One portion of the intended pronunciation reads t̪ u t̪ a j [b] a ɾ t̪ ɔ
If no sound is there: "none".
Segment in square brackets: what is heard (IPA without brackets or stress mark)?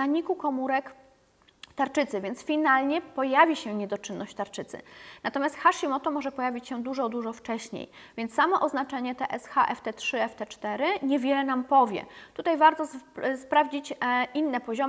v